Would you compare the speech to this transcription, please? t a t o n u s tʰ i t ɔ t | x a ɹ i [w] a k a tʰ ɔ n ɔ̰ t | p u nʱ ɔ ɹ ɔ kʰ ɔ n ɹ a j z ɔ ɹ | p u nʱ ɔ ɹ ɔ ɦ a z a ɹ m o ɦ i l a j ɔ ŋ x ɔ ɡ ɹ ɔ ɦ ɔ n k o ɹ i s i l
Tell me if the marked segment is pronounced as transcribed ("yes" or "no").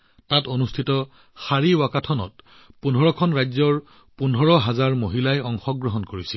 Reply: yes